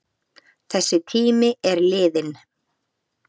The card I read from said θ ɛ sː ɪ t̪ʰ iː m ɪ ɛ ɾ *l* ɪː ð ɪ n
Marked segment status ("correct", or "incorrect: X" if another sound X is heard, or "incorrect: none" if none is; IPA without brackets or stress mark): correct